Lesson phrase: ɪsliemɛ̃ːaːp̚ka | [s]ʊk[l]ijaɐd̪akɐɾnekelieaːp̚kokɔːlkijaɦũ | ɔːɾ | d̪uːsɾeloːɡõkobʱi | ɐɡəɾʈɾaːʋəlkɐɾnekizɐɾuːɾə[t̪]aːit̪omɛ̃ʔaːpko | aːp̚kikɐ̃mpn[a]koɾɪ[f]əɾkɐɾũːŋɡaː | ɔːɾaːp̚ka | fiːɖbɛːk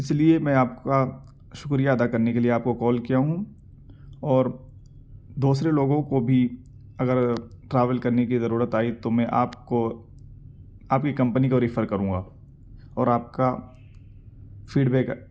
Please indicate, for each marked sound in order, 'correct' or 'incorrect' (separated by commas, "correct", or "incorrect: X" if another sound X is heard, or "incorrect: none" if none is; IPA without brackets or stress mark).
incorrect: ʃ, incorrect: ɾ, correct, incorrect: i, correct